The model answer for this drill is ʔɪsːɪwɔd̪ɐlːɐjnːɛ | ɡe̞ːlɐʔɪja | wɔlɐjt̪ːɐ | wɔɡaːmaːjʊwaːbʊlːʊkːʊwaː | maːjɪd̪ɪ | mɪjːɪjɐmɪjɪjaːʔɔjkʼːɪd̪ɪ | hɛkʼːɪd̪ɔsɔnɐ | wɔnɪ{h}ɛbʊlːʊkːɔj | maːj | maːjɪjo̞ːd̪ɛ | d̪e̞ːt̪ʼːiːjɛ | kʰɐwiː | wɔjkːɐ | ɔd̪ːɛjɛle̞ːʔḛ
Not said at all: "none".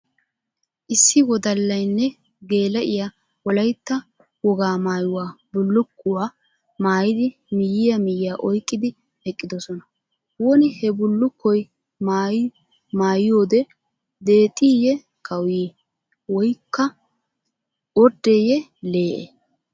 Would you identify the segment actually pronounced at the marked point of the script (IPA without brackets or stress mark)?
h